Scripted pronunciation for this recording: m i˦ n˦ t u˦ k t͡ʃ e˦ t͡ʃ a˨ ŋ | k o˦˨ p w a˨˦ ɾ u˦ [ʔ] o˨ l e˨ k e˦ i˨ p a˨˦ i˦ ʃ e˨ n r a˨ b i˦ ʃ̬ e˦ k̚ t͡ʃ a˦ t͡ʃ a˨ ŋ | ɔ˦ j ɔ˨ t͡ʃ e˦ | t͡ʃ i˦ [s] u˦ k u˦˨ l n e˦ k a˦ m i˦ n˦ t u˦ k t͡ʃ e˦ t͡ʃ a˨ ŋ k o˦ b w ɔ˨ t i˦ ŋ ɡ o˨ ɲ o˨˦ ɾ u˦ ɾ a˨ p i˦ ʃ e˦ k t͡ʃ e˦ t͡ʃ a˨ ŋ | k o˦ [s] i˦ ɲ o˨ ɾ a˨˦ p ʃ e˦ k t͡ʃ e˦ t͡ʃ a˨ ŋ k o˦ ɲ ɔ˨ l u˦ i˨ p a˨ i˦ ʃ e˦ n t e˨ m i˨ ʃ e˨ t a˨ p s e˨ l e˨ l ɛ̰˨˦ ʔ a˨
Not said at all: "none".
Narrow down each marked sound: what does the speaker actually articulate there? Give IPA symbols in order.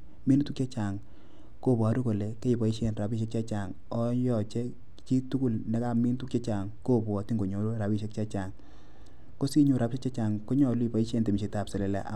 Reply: k, t, s

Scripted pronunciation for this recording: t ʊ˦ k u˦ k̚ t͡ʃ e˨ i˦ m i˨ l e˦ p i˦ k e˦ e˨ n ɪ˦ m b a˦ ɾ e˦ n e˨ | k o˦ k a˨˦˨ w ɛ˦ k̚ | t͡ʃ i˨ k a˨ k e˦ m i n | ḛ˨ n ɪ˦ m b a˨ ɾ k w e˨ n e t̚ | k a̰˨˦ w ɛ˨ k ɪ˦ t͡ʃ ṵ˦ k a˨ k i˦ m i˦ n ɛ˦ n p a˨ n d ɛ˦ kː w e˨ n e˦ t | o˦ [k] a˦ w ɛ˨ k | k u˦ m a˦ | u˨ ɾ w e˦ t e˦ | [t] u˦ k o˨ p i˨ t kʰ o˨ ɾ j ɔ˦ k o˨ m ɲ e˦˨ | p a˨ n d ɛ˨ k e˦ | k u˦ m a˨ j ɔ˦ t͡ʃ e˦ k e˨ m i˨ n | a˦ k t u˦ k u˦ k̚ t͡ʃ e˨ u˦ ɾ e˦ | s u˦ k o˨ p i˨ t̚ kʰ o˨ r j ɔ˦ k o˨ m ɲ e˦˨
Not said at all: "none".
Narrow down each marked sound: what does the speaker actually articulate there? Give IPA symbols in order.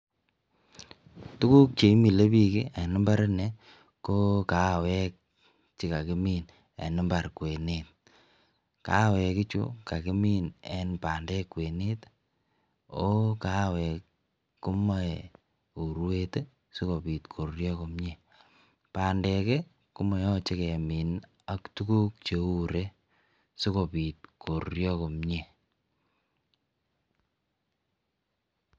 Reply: k, s

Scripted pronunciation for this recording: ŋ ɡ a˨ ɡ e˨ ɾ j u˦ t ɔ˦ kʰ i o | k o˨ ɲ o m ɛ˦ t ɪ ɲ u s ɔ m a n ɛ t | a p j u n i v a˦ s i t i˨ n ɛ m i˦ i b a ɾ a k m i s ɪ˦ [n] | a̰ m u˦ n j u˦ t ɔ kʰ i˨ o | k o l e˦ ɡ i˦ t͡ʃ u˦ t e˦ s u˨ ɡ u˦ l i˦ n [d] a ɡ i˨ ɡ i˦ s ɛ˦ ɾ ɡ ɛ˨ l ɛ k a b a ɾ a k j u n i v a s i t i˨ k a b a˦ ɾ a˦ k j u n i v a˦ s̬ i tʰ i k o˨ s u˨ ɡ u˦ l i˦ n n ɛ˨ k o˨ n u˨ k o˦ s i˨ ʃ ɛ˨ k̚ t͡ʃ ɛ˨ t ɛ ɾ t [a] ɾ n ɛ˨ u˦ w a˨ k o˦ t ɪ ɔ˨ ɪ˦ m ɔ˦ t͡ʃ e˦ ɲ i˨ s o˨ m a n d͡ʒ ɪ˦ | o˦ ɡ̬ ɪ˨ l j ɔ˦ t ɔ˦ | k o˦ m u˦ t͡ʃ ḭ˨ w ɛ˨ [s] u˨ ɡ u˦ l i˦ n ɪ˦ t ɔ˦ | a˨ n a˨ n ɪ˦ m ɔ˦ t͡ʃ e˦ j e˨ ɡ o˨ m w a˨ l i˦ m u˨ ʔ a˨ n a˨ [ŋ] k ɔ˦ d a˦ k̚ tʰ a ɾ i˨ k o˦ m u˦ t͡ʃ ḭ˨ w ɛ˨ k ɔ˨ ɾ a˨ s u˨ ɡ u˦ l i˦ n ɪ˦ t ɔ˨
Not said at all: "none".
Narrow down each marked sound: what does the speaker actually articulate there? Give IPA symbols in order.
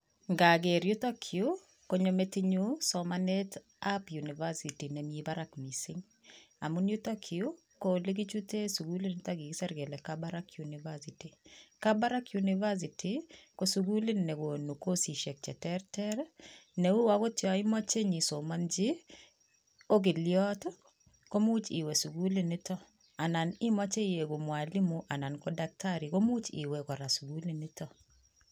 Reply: ŋ, t, ɛ, s, n

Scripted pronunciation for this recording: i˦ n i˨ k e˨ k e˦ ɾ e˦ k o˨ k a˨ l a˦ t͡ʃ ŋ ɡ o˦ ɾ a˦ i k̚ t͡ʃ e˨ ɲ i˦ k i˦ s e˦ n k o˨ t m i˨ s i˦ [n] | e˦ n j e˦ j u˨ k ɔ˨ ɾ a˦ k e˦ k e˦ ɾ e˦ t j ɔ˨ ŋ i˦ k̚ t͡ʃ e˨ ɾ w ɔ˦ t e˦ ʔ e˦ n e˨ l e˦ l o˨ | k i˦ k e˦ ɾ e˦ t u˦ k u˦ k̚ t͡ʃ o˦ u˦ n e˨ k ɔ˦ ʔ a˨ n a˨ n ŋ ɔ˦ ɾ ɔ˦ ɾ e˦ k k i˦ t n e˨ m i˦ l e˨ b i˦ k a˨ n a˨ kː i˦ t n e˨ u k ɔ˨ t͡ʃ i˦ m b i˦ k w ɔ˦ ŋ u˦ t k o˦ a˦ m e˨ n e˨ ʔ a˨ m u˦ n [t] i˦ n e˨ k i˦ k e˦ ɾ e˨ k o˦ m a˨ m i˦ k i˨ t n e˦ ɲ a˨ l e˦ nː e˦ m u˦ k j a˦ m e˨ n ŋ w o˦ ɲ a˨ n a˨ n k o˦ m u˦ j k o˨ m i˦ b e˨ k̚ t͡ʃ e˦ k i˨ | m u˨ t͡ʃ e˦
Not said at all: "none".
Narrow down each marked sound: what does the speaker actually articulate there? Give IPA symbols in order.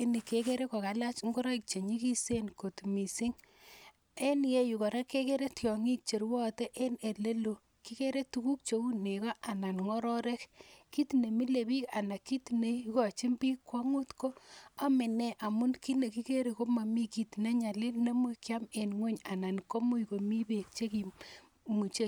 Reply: ŋ, k

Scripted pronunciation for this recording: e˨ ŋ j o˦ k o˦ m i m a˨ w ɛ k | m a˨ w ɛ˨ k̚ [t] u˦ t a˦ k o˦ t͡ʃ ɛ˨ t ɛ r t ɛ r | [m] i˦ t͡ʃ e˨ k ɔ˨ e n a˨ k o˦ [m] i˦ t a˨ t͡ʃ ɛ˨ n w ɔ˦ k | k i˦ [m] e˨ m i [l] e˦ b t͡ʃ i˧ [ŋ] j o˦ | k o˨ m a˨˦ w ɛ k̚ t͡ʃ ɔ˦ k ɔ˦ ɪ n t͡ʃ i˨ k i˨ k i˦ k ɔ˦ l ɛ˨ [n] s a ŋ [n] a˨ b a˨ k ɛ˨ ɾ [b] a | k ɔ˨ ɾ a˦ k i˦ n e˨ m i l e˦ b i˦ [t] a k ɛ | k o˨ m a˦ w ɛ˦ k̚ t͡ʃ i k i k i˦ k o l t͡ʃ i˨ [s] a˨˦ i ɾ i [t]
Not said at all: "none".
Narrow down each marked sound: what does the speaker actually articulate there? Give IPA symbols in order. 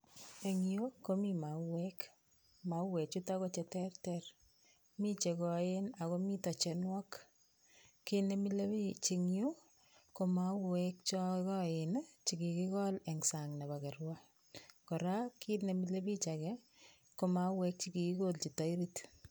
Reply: t͡ʃ, m, m, n, l, ŋ, ŋ, n, w, t͡ʃ, t, t

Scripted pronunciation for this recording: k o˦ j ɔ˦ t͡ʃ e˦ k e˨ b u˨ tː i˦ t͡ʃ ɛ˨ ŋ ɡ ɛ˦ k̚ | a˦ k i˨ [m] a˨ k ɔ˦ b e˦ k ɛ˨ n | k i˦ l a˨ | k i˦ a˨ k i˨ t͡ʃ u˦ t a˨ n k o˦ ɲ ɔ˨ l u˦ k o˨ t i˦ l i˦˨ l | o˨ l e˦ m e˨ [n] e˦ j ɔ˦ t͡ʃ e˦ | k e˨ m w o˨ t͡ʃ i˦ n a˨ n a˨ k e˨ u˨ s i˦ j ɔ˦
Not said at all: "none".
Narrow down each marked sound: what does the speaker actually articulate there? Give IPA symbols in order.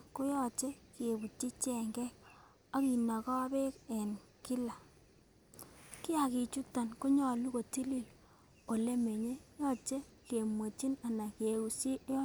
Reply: n, ɲ

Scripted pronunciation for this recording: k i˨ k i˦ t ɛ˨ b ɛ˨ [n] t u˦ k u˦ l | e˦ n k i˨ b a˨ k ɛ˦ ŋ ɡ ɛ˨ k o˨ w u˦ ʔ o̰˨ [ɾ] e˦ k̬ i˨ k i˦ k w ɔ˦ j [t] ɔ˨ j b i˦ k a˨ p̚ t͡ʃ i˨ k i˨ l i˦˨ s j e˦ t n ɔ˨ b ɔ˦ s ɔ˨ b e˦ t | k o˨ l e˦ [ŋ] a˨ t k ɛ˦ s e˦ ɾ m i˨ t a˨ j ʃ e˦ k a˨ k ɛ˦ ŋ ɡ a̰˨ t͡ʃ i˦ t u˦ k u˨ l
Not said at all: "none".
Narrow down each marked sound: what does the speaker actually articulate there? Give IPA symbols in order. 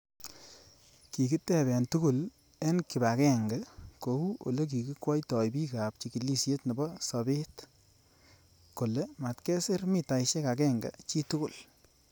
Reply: n, l, t, m

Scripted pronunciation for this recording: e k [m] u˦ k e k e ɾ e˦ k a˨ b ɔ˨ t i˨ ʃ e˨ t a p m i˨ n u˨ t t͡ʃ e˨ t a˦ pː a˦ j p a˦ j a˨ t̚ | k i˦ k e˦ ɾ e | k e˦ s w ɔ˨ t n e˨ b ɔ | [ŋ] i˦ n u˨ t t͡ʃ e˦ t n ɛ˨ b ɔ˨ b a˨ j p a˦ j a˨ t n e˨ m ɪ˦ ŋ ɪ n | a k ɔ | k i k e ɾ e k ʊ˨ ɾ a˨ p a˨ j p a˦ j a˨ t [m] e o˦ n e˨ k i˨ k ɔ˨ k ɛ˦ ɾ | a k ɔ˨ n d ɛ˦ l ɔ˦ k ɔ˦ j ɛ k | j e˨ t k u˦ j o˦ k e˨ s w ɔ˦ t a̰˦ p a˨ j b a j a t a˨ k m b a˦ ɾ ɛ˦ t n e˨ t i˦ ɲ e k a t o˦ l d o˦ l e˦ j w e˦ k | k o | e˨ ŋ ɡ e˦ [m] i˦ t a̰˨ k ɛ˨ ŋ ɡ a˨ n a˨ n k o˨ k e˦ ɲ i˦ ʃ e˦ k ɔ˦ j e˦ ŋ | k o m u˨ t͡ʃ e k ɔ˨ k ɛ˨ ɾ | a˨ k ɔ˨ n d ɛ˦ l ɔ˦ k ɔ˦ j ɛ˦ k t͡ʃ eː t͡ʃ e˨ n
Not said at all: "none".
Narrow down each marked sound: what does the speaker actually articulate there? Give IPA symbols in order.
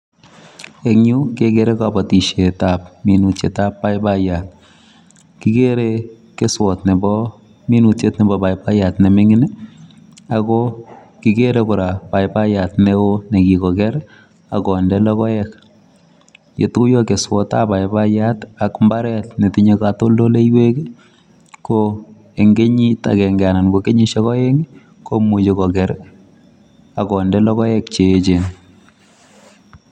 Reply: ɲ, m, n, ɲ

